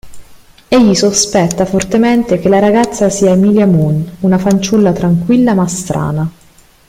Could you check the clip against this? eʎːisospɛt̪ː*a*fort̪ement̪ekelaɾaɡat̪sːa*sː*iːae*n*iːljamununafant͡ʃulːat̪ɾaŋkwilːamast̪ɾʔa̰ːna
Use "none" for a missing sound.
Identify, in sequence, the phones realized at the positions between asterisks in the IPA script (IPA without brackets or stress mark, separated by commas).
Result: a, s, m